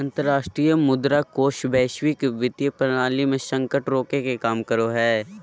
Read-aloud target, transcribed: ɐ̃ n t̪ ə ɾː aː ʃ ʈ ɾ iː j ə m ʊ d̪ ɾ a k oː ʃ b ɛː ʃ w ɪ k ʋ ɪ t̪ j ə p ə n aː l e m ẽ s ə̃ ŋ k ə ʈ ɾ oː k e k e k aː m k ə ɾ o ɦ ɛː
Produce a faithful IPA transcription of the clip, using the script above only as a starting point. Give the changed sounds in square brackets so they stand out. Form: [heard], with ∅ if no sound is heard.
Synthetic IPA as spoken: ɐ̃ n t̪ ə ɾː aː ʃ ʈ ɾ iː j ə m ʊ d̪ ɾ a k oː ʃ b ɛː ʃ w ɪ k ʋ ɪ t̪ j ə p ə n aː l [i] m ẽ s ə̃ ŋ k ə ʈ ɾ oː k e k e k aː m k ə ɾ o ɦ ɛː